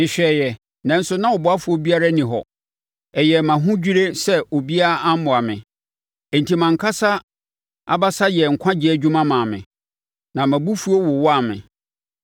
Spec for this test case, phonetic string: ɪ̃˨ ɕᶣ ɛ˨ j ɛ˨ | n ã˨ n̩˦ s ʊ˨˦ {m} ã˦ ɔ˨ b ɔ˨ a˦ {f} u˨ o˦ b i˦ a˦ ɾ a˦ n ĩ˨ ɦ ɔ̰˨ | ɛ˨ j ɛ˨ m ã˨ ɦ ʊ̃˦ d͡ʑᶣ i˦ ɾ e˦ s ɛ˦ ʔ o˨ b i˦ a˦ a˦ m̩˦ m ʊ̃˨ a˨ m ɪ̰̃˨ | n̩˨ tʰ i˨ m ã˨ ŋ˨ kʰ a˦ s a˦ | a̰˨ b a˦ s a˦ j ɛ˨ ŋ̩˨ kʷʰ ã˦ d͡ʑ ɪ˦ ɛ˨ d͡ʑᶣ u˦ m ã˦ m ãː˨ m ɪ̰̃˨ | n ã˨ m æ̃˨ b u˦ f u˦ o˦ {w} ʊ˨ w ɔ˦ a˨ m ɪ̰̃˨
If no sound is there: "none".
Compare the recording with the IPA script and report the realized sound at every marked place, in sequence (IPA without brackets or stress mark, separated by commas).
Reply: n, f, w